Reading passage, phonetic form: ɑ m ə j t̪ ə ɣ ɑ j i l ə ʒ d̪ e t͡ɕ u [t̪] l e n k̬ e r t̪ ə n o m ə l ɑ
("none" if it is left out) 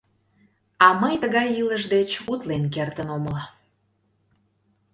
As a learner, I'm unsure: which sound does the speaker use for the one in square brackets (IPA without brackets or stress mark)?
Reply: t̪